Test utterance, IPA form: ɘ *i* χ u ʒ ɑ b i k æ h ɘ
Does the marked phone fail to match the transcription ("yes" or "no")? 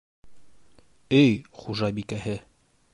yes